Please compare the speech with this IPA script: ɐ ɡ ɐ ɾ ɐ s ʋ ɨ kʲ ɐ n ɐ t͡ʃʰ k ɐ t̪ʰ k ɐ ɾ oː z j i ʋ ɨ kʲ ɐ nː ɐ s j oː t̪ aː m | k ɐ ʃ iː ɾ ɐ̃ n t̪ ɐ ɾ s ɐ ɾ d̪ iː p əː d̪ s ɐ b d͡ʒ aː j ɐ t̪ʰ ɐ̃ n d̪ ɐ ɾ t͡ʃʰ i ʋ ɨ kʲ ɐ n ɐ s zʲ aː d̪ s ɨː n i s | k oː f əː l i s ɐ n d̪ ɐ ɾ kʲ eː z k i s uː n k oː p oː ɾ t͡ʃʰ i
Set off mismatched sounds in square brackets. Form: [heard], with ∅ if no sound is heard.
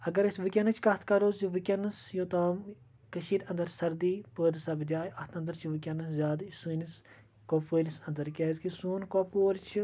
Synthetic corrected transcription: ɐ ɡ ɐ ɾ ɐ s ʋ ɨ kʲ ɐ n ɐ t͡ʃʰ k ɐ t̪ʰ k ɐ ɾ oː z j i ʋ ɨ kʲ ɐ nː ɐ s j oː t̪ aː m | k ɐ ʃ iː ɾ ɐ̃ n [d̪] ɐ ɾ s ɐ ɾ d̪ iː p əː d̪ s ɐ b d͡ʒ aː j ɐ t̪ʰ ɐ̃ n d̪ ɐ ɾ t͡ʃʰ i ʋ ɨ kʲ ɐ n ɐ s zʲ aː d̪ s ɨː n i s | k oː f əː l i s ɐ n d̪ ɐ ɾ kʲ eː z k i s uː n k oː p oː ɾ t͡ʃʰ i